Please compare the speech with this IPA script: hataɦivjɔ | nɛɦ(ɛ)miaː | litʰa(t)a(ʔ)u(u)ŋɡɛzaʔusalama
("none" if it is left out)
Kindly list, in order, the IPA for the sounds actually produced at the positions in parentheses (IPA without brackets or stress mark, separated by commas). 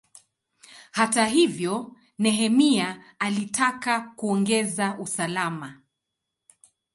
ɛ, k, k, ɔ